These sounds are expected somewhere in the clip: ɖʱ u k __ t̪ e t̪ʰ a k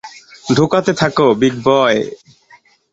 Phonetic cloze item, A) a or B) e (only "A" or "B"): A